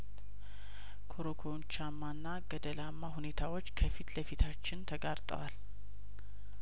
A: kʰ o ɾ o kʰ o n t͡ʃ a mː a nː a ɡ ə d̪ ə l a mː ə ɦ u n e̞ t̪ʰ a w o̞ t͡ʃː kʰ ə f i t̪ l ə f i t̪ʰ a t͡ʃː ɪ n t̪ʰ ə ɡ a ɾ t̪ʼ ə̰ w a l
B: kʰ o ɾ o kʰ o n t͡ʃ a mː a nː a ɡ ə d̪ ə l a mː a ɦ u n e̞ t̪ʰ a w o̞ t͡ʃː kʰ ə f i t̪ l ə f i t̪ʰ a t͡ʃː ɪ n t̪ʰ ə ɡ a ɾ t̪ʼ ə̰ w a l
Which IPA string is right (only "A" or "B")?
B